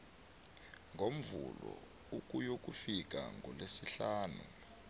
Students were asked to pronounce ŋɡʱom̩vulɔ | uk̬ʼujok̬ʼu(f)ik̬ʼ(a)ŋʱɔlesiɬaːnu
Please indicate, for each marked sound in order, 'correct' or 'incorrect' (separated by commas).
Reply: correct, correct